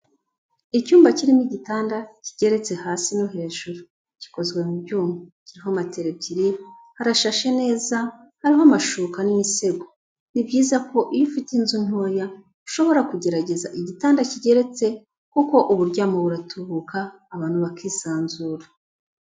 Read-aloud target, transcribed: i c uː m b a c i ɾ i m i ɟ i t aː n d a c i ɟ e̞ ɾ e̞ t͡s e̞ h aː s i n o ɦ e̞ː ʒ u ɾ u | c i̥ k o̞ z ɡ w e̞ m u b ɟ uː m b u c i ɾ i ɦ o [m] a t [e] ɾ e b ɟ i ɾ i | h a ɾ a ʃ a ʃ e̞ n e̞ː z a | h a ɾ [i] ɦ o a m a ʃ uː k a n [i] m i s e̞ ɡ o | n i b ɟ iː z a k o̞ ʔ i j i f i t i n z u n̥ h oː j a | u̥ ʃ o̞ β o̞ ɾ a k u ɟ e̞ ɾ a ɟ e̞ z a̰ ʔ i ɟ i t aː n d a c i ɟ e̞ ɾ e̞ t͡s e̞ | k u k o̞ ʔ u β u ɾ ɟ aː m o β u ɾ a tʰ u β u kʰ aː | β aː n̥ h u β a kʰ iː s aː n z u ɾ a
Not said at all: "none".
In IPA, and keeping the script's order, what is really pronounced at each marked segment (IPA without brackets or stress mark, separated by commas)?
m, e, i, i